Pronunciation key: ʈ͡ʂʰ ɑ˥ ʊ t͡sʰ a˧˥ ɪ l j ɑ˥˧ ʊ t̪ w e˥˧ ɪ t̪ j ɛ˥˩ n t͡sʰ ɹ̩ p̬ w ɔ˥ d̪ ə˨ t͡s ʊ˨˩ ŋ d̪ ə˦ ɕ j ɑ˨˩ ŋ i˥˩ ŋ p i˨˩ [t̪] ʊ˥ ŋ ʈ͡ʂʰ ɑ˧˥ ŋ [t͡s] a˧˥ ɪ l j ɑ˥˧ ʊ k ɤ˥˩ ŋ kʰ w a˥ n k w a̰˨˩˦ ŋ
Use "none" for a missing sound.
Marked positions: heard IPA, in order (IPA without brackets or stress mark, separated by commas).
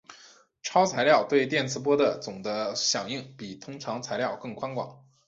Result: t̪ʰ, t͡sʰ